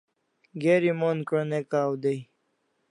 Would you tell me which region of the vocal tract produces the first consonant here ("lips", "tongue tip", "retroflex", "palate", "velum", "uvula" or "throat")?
velum